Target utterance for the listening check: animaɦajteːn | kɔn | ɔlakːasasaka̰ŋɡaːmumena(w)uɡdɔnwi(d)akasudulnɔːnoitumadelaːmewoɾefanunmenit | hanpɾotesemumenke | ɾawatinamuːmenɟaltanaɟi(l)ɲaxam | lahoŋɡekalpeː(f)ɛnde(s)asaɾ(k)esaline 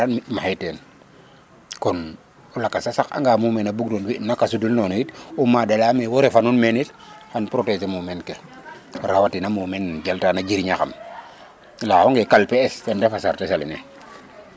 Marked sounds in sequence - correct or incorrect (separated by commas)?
incorrect, incorrect, incorrect, incorrect, incorrect, incorrect